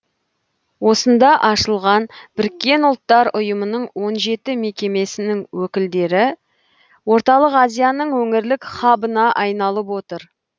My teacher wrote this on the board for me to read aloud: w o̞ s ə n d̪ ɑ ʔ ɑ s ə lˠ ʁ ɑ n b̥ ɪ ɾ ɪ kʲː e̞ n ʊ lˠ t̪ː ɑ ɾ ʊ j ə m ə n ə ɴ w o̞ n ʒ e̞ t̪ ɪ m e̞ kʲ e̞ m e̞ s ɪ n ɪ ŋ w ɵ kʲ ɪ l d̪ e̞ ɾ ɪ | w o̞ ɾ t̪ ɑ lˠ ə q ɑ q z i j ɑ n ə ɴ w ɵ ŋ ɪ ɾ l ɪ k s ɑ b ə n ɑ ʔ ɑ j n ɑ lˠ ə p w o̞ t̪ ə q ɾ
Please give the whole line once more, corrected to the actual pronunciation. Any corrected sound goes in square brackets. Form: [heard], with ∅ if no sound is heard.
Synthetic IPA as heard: w o̞ s ə n d̪ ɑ ʔ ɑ [ʃ] ə lˠ ʁ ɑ n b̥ ɪ ɾ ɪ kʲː e̞ n ʊ lˠ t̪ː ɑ ɾ ʊ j ə m ə n ə ɴ w o̞ n ʒ e̞ t̪ ɪ m e̞ kʲ e̞ m e̞ s ɪ n ɪ ŋ w ɵ kʲ ɪ l d̪ e̞ ɾ ɪ | w o̞ ɾ t̪ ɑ lˠ ə q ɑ [∅] z i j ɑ n ə ɴ w ɵ ŋ ɪ ɾ l ɪ k [χ] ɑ b ə n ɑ ʔ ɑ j n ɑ lˠ ə p w o̞ t̪ ə [∅] ɾ